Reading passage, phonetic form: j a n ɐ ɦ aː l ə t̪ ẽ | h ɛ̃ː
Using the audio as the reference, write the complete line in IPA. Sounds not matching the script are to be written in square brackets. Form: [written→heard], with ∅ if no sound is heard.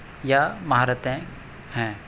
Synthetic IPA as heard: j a [n→m] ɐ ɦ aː [l→ɾ] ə t̪ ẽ | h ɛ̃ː